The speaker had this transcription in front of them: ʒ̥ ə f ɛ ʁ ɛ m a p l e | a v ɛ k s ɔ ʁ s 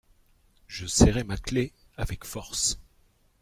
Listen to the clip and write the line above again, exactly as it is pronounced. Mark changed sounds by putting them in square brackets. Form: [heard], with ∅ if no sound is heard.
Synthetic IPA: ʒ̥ ə [s] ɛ ʁ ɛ m a [k] l e | a v ɛ k [f] ɔ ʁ s